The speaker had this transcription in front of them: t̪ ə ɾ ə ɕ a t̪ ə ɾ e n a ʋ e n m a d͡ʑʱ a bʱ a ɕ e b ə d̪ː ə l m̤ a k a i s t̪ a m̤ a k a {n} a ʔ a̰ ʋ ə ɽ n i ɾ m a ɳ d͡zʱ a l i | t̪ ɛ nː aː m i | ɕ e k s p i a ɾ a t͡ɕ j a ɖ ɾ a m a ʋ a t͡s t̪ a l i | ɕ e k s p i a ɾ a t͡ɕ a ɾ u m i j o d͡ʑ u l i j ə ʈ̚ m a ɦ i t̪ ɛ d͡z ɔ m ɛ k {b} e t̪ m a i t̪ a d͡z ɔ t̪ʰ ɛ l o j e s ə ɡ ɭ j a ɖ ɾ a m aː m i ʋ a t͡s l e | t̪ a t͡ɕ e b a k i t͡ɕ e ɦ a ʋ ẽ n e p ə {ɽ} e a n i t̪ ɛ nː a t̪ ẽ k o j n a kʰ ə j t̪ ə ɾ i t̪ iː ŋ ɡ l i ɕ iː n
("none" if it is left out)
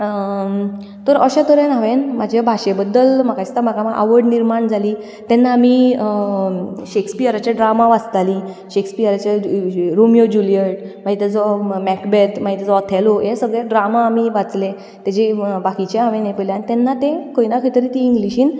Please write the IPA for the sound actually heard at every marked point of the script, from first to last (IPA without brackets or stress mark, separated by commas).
m, b, l